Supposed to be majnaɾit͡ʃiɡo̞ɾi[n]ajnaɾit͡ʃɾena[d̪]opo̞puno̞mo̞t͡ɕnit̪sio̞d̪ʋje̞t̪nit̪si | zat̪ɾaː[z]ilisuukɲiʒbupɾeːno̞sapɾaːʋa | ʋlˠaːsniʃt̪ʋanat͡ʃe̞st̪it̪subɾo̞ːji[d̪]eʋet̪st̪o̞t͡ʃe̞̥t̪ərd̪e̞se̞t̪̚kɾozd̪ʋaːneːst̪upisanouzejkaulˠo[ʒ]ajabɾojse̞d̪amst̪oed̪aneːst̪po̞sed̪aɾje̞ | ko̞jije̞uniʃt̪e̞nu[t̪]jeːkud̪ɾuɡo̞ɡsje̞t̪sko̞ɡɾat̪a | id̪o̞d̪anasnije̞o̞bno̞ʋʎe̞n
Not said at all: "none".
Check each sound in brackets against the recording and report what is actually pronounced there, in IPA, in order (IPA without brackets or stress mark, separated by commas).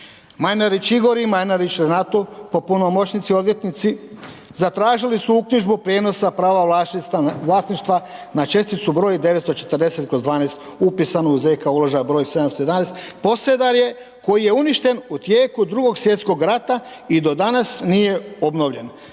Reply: m, t̪, ʒ, d̪, ʒ, t̪